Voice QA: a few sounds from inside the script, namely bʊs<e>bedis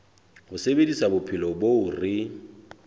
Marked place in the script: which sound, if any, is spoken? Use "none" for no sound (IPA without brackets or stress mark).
e